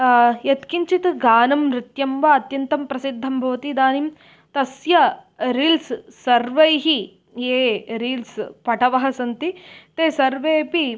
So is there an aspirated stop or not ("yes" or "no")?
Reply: no